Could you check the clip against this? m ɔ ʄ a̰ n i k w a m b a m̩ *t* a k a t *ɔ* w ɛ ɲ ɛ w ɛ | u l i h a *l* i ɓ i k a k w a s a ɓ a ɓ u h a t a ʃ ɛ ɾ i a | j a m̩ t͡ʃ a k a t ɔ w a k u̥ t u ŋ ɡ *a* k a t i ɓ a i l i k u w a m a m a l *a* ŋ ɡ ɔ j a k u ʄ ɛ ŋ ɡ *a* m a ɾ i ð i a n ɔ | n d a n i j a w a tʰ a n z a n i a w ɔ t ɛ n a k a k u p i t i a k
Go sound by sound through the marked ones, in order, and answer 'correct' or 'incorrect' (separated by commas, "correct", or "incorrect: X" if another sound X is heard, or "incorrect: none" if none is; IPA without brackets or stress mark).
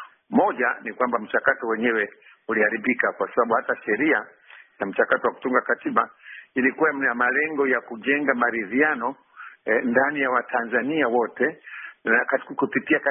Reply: incorrect: t͡ʃ, correct, incorrect: ɾ, correct, incorrect: ɛ, correct